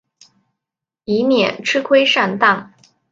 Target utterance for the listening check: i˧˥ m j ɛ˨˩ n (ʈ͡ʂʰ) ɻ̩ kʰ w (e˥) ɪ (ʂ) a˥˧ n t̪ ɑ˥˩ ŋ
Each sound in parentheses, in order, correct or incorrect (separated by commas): correct, correct, correct